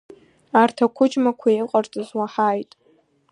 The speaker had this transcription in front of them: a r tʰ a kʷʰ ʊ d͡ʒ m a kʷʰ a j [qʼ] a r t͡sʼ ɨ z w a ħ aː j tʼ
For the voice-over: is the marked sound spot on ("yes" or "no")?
yes